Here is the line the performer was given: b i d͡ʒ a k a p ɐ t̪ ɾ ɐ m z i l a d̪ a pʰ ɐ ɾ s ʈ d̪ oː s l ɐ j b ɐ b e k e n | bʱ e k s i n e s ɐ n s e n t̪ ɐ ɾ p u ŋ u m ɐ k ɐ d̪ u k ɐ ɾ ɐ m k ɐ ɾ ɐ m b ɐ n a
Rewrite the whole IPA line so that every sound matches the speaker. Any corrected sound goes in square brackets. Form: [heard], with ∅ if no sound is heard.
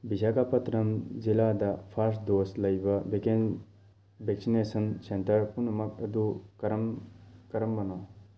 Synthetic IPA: b i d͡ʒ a k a p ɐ t̪ ɾ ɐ m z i l a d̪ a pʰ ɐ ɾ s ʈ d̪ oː s l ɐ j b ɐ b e k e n | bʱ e k s i n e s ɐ n s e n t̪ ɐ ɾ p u [n] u m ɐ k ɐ d̪ u k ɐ ɾ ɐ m k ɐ ɾ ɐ m b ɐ n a